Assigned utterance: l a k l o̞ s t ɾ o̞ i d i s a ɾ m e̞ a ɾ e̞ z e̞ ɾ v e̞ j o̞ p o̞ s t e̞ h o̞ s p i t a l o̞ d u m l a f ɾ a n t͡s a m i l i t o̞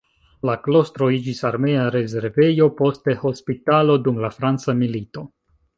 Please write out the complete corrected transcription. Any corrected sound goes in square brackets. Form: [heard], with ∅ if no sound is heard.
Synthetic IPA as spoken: l a k l o̞ s t ɾ o̞ i [d͡ʒ] i s a ɾ m e̞ a ɾ e̞ z e̞ ɾ v e̞ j o̞ p o̞ s t e̞ h o̞ s p i t a l o̞ d u m l a f ɾ a n t͡s a m i l i t o̞